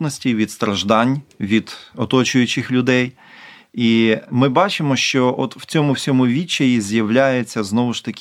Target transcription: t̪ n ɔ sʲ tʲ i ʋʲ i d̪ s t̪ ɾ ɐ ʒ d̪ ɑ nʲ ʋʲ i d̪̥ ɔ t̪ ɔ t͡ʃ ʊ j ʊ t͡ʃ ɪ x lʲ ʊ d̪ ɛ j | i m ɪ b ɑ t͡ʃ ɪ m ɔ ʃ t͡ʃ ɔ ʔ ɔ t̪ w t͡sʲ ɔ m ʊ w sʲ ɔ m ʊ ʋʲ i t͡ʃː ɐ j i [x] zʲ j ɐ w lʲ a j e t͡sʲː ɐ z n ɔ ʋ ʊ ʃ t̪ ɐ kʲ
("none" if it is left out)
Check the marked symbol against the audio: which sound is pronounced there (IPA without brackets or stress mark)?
none